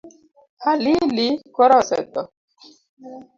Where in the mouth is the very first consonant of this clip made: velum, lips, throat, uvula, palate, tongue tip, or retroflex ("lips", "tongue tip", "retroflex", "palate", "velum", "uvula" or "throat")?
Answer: tongue tip